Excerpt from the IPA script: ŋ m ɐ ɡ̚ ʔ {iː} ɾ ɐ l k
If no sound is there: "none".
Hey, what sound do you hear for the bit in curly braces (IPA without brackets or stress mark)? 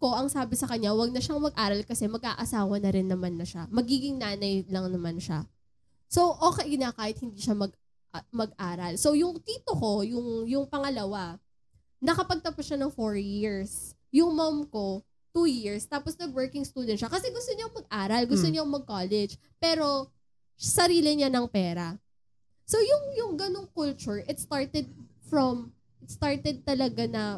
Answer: aː